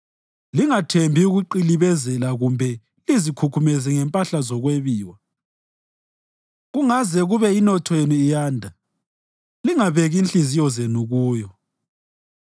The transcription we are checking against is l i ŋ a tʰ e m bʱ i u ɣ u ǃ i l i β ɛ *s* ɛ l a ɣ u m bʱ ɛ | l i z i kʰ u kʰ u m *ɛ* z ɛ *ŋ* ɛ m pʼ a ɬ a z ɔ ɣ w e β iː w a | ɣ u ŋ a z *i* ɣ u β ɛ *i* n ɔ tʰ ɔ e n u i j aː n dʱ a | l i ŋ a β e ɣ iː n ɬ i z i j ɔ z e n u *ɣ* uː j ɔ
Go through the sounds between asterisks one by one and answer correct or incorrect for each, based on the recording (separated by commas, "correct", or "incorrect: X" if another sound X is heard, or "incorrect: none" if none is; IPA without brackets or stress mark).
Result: incorrect: z, correct, correct, incorrect: ɛ, correct, correct